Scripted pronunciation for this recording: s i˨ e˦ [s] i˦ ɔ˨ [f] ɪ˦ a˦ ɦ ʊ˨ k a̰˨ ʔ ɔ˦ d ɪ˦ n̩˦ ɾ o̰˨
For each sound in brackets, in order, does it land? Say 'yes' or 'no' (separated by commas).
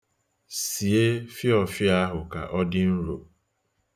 no, yes